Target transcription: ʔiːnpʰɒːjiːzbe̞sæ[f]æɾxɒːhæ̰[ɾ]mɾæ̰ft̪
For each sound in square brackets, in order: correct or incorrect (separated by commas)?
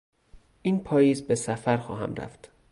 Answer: correct, incorrect